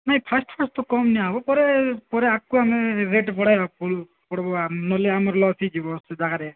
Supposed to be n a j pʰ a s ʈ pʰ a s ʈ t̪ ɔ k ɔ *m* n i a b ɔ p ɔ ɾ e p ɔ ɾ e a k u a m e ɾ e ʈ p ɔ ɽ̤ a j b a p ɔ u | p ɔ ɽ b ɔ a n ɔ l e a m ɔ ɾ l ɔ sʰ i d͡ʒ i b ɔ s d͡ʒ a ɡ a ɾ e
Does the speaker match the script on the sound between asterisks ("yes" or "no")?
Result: yes